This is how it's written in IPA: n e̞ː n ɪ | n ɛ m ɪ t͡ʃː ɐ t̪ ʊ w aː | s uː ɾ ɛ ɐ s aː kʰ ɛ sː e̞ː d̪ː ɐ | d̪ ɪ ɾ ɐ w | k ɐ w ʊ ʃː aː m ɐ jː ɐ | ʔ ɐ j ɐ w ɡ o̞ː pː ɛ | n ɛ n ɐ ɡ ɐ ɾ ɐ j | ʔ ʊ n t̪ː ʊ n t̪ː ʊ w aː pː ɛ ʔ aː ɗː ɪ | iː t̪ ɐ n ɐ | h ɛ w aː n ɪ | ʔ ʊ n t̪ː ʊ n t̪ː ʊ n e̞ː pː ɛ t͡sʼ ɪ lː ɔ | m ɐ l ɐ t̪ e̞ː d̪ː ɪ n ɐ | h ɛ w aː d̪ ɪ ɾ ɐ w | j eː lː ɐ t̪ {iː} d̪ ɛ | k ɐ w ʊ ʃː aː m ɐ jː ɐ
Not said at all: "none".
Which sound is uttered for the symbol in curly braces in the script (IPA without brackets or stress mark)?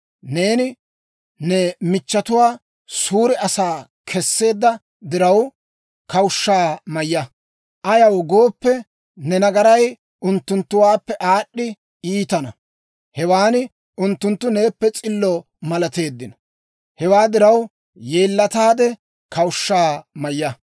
aː